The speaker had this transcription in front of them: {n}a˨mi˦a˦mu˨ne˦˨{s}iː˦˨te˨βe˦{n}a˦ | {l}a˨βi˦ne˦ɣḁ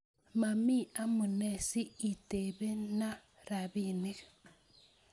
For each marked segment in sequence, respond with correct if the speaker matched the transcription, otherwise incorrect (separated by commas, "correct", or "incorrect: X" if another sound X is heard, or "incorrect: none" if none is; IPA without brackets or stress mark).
incorrect: m, correct, correct, incorrect: ɾ